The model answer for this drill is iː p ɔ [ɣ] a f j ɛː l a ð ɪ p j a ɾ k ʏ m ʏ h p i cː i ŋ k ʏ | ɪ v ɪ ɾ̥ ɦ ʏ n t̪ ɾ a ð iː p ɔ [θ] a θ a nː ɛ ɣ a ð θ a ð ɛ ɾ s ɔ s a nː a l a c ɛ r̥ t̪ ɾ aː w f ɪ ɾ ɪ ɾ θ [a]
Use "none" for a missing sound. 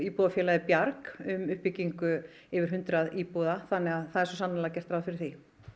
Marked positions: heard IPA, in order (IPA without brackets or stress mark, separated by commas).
ð, ð, i